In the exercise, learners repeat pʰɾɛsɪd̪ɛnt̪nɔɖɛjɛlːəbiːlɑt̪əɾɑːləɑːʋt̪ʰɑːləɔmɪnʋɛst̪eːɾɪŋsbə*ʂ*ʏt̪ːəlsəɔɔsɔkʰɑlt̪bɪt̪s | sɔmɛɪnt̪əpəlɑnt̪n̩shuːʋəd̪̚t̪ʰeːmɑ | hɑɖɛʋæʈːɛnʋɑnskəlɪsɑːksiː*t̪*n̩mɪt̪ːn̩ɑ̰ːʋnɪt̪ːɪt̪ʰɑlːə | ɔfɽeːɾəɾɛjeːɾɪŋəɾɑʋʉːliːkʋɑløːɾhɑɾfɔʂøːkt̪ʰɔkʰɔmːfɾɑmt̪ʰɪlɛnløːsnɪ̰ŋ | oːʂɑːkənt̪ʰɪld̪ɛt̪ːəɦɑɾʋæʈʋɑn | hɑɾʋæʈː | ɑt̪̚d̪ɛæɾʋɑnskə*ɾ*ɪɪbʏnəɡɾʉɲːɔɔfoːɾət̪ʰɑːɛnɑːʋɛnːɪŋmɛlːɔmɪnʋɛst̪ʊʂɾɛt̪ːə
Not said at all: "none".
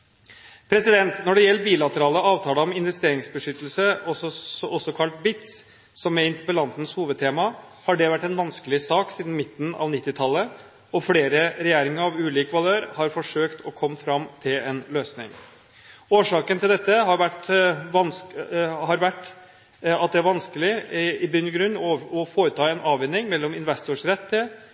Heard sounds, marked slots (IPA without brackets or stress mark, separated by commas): ʂ, d̪, l